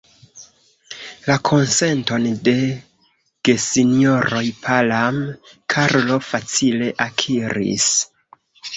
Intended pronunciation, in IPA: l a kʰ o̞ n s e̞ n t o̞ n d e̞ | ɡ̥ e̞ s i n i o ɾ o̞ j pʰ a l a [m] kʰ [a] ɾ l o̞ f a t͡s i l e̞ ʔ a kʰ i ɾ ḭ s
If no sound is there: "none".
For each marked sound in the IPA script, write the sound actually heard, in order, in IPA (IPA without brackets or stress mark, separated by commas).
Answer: m, a